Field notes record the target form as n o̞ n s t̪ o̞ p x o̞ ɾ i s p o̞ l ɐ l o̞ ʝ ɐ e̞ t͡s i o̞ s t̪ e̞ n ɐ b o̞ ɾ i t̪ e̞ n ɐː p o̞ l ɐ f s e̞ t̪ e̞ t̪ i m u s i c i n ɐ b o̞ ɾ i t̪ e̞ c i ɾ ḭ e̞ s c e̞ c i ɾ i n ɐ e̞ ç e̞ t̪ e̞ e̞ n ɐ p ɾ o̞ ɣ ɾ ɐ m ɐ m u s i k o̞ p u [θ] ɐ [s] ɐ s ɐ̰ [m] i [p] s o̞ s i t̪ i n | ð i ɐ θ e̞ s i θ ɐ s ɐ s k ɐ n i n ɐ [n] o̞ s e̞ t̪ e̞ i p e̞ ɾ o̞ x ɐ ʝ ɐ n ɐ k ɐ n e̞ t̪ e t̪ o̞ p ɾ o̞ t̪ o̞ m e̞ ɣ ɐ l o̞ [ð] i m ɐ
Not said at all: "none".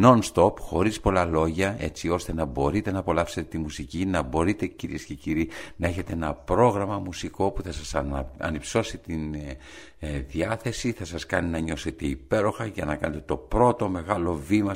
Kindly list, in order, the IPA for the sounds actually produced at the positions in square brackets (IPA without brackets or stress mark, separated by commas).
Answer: θ, s, n, p, ɲ, v